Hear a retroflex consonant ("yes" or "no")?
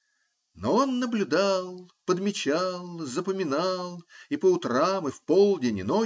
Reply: no